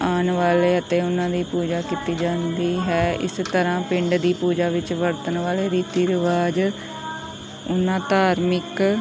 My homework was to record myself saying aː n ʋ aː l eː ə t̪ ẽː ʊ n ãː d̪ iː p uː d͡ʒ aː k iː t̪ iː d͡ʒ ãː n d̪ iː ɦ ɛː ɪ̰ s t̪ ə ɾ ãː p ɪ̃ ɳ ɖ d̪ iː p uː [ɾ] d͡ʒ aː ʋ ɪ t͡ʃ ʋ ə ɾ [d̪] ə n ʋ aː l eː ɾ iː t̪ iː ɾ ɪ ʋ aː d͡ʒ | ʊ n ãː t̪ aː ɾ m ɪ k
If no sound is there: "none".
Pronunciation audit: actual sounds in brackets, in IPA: none, t̪

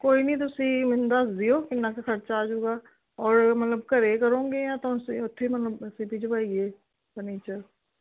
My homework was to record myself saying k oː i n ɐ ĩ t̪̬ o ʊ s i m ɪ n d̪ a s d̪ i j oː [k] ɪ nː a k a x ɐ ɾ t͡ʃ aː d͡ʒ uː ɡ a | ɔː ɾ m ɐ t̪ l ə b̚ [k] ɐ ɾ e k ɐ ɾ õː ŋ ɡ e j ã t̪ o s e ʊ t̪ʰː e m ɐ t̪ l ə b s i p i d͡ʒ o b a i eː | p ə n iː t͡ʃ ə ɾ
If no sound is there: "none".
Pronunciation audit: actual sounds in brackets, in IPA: k, k

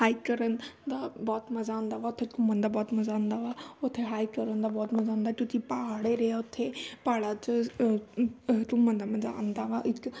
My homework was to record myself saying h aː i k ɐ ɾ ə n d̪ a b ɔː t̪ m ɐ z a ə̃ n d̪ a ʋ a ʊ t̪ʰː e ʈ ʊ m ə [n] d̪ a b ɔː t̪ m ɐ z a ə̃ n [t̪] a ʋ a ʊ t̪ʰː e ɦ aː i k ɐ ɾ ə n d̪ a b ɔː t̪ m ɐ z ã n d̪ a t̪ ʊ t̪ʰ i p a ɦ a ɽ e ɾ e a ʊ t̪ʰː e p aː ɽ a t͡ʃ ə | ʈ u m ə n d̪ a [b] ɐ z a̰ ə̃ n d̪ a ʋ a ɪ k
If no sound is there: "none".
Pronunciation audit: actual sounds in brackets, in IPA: n, d̪, m

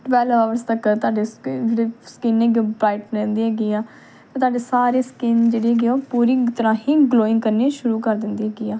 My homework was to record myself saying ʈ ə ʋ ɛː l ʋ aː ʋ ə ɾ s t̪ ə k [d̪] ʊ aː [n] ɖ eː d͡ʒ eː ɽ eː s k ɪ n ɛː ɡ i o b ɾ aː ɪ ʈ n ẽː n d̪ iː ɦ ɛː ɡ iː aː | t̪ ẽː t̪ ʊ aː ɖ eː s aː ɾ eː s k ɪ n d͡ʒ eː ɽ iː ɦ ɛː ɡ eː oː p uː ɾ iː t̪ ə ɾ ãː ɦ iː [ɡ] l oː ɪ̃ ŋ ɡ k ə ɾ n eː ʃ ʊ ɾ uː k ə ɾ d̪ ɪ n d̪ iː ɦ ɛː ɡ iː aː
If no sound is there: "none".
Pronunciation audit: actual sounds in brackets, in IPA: t̪, none, ɡ

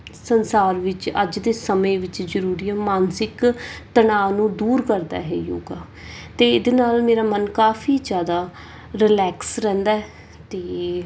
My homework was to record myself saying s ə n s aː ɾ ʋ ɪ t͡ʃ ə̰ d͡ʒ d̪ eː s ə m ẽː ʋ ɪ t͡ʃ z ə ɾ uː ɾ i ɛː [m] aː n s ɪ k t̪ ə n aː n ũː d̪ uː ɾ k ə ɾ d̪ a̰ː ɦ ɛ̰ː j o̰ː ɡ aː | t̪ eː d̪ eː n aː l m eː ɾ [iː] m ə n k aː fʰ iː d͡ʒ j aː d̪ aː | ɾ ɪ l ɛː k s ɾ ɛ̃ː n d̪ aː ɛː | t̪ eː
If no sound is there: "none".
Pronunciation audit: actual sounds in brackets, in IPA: m, aː

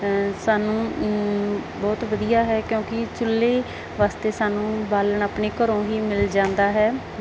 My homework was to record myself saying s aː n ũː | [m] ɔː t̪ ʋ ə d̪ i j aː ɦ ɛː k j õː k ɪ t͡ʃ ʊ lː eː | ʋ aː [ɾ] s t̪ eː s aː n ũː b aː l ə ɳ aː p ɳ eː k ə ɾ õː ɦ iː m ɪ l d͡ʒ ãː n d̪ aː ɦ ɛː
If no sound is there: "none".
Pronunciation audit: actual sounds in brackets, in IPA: b, none

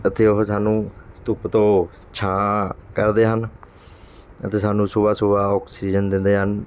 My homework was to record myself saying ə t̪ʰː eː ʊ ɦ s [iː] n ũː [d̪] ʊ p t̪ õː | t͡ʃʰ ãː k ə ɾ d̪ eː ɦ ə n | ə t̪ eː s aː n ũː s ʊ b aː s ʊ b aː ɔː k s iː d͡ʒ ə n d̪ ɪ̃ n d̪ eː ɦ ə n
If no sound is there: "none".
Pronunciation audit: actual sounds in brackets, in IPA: aː, t̪

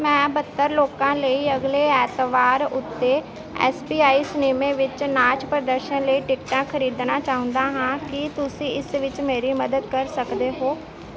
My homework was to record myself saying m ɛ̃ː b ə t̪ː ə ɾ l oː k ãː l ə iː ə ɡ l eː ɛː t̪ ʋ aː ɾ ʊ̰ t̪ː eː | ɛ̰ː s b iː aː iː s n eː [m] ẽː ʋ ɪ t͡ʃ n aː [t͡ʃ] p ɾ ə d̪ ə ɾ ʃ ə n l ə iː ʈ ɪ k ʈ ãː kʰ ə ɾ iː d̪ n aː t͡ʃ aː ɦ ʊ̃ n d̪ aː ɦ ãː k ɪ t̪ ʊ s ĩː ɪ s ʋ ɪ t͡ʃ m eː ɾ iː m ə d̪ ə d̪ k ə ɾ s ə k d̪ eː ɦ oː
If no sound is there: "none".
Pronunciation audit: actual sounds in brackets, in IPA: m, t͡ʃ

